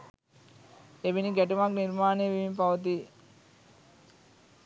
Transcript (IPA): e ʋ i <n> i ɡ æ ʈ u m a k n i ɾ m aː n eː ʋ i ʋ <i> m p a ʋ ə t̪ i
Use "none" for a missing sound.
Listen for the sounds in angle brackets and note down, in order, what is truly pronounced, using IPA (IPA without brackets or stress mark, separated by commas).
n, i